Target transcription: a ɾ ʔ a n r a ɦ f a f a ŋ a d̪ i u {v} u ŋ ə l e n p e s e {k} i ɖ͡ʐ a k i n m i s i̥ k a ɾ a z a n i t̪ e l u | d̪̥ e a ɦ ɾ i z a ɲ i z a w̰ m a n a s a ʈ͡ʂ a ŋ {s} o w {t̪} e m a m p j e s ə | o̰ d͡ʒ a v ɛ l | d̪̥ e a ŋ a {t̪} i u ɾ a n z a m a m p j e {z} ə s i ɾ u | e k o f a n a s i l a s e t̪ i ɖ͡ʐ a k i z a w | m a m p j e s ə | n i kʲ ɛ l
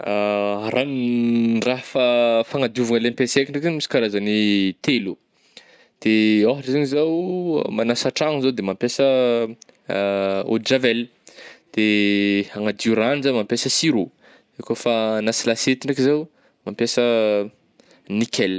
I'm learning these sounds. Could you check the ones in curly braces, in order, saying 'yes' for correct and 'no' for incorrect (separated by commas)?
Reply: yes, yes, no, no, no, no